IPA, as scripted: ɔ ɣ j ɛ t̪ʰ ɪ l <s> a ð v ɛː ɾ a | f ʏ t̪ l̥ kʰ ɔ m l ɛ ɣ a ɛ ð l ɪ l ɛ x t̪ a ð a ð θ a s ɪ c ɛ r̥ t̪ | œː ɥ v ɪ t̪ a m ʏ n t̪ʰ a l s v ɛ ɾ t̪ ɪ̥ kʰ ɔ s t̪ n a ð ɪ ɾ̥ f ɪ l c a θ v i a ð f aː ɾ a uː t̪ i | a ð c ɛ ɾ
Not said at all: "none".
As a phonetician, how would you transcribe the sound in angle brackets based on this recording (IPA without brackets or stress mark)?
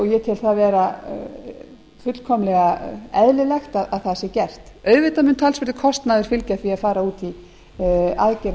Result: θ